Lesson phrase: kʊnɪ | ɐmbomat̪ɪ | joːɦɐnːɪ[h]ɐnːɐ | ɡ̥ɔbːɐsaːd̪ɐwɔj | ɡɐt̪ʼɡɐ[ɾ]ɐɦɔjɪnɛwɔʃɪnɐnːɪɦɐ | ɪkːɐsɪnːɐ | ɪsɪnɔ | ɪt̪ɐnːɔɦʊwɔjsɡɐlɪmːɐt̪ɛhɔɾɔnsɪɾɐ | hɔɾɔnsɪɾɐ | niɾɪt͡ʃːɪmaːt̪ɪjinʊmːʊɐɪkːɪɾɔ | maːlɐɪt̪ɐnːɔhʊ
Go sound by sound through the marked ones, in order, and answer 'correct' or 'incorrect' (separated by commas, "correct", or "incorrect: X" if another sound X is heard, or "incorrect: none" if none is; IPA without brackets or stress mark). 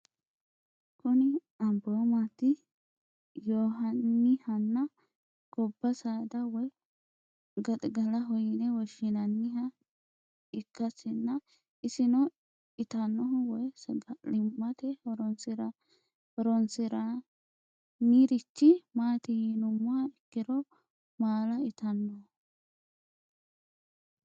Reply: correct, incorrect: l